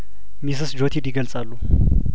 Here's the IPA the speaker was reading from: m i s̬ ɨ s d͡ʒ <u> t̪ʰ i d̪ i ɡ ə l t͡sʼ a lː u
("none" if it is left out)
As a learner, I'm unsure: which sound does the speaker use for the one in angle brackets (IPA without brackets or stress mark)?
o